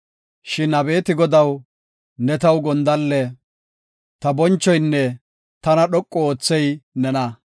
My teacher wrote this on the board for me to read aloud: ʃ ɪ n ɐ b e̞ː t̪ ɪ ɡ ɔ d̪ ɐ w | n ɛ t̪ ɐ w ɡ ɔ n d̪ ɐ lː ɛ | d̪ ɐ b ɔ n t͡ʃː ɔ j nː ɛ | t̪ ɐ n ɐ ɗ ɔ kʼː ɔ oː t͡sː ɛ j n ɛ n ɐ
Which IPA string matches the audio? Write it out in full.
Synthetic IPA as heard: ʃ ɪ n ɐ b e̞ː t̪ ɪ ɡ ɔ d̪ ɐ w | n ɛ t̪ ɐ w ɡ ɔ n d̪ ɐ lː ɛ | t̪ ɐ b ɔ n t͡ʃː ɔ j nː ɛ | t̪ ɐ n ɐ ɗ ɔ kʼː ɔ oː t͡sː ɛ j n ɛ n ɐ